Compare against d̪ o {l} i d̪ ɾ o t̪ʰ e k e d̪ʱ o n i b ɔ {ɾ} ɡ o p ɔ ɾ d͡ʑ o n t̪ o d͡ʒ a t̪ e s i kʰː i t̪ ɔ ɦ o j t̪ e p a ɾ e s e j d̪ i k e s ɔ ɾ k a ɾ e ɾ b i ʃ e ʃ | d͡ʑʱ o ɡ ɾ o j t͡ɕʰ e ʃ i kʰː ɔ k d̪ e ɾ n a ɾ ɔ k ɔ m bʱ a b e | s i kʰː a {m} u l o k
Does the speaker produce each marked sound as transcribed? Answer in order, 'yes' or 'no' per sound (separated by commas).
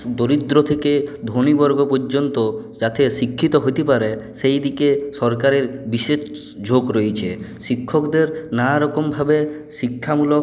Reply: no, yes, yes